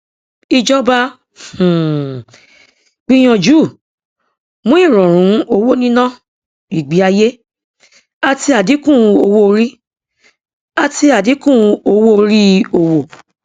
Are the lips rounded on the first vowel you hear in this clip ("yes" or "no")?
no